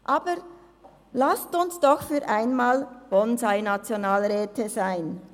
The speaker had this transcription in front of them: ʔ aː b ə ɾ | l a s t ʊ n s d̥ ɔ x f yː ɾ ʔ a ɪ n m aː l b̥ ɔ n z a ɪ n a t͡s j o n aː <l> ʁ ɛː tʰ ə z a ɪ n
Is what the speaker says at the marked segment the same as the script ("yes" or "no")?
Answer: yes